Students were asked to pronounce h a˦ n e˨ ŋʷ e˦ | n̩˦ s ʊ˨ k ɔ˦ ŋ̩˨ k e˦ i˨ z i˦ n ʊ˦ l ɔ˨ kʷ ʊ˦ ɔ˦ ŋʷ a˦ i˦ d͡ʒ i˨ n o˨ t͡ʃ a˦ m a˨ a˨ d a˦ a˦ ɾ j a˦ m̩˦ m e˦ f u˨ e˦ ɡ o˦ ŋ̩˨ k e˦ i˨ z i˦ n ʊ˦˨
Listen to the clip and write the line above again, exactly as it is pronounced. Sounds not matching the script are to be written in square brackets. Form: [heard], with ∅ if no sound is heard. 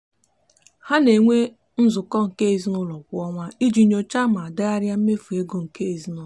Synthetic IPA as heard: h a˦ n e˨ ŋʷ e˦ | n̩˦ [z] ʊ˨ k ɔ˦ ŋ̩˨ k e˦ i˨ z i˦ n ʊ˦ l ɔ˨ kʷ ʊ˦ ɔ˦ ŋʷ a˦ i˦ d͡ʒ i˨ [ɲ] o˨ t͡ʃ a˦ m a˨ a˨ d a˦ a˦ ɾ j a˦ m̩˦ m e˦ f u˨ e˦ ɡ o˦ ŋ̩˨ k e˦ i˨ z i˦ n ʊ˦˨